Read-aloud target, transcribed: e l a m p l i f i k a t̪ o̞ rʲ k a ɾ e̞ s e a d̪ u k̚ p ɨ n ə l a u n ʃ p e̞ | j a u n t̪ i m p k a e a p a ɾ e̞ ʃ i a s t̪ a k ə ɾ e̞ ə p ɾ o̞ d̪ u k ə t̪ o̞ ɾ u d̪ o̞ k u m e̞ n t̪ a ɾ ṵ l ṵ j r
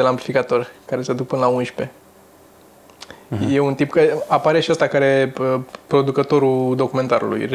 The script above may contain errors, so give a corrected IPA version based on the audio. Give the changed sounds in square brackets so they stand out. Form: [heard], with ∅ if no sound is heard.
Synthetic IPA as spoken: e l a m p l i f i k a t̪ o̞ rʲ k a ɾ e̞ s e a d̪ u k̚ p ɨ n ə l a u n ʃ p e̞ | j [e] u n t̪ i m p k a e a p a ɾ e̞ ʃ i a s t̪ a k [a] ɾ e̞ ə p ɾ o̞ d̪ u k ə t̪ o̞ ɾ u d̪ o̞ k u m e̞ n t̪ a ɾ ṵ l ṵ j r